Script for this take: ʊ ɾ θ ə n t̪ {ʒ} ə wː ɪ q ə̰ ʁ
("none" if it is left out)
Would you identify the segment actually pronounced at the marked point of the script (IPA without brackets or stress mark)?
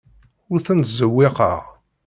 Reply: z